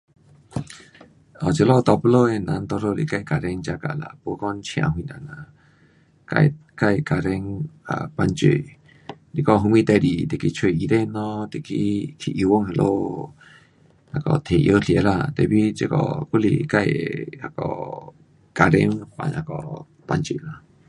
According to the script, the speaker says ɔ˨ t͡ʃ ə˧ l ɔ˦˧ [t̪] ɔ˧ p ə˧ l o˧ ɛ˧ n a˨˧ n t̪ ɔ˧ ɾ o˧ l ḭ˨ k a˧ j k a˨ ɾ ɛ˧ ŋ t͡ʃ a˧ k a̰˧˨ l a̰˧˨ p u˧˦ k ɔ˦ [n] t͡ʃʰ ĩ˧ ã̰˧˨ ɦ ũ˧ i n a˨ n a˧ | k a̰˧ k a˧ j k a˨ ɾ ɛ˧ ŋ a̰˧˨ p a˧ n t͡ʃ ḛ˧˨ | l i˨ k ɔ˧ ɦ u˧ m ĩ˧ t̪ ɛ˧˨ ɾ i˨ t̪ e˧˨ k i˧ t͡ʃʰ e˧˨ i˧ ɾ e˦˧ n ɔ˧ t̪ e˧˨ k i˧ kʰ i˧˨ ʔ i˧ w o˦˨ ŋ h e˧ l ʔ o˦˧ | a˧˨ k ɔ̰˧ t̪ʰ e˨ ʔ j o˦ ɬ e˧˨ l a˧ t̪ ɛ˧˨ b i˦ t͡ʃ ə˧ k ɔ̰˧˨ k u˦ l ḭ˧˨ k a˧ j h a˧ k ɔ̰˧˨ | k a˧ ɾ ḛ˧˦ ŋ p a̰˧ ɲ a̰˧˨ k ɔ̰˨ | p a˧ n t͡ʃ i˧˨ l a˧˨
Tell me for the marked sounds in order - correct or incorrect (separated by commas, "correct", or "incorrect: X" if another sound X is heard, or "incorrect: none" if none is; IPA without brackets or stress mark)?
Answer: correct, correct